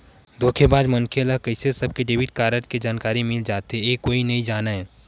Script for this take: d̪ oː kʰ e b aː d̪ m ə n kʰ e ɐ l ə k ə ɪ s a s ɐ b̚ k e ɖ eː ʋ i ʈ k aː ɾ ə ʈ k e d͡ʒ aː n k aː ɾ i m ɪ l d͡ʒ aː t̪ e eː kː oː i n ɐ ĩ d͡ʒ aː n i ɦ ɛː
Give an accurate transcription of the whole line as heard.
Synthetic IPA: d̪ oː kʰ e b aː d̪ m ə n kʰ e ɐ l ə k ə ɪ s e s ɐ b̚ k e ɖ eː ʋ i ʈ k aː ɾ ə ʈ k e d͡ʒ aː n k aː ɾ i m ɪ l d͡ʒ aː t̪ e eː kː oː i n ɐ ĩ d͡ʒ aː n a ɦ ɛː